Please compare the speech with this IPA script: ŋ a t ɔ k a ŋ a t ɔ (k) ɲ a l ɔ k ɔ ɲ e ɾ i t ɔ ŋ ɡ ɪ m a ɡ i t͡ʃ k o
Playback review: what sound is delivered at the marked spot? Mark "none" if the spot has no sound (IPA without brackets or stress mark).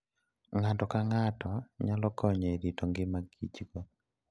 none